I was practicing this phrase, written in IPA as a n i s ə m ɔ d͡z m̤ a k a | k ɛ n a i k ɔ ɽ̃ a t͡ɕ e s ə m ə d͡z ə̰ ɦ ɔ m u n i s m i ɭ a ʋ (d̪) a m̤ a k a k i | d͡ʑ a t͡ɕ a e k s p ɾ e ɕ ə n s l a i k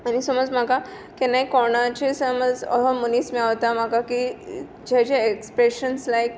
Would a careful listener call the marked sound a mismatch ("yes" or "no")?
yes